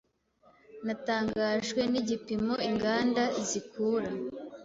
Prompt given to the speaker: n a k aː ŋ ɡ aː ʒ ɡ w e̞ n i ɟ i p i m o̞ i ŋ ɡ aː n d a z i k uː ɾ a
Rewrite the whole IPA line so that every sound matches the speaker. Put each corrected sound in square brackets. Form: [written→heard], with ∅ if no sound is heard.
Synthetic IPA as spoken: n a [k→t] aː ŋ ɡ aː ʒ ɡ w e̞ n i ɟ i p i m o̞ i ŋ ɡ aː n d a z i k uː ɾ a